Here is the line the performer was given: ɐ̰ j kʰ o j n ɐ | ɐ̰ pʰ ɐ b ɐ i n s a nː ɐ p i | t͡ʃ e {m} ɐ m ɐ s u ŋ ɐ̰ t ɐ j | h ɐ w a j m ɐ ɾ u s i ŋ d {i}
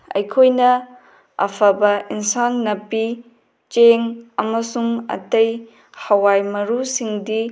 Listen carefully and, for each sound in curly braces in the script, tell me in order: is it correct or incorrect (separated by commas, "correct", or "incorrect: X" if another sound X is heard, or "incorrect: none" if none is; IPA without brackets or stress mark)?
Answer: incorrect: ŋ, correct